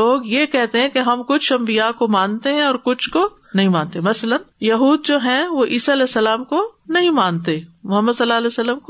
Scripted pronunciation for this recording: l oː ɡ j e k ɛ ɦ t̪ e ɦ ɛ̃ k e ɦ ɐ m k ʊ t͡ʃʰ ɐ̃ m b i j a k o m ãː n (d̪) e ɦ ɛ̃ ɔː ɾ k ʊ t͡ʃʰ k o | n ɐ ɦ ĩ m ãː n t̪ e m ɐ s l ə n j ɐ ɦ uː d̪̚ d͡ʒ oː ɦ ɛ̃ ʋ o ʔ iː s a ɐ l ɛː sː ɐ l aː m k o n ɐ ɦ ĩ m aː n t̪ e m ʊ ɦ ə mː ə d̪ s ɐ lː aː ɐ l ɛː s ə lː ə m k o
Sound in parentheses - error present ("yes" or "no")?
yes